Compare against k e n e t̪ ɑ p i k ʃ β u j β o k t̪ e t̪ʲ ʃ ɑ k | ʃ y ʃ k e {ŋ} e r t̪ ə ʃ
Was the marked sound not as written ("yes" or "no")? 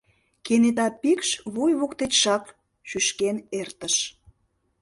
yes